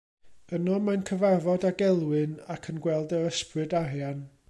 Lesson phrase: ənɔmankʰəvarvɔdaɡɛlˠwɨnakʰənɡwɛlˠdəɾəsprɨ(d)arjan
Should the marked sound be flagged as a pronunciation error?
no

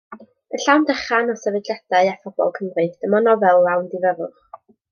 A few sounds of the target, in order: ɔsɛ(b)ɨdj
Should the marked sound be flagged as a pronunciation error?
yes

